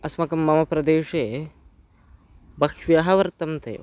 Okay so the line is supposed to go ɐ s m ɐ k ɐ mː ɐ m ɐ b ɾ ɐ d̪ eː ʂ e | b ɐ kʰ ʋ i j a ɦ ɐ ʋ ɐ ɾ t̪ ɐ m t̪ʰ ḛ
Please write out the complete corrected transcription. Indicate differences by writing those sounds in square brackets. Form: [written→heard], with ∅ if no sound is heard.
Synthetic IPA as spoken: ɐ s m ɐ k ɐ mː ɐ m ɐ [b→p] ɾ ɐ d̪ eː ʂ e | b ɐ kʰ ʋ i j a ɦ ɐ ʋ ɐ ɾ t̪ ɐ m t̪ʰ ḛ